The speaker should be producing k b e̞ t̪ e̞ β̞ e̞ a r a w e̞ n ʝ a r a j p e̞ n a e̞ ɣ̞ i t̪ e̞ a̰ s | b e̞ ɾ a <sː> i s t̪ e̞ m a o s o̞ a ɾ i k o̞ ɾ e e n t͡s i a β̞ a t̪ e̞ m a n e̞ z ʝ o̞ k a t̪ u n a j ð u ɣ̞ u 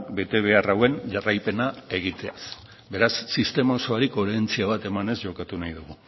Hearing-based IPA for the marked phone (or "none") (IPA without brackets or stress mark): sː